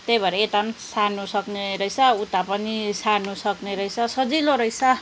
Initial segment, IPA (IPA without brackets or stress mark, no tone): t̪